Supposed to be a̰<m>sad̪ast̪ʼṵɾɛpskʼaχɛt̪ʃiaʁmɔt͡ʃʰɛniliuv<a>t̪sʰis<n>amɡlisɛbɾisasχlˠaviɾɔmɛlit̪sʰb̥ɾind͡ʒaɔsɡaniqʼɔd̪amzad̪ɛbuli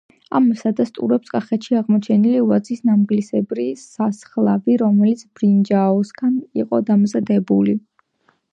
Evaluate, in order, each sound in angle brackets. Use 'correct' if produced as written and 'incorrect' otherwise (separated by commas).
correct, correct, correct